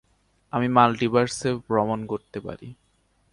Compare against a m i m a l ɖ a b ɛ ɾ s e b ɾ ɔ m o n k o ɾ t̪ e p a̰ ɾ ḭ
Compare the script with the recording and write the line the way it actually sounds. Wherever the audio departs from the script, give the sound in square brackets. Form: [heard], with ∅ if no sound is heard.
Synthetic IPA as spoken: a m i m a l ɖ [i] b [a] ɾ s e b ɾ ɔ m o n k o ɾ t̪ e p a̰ ɾ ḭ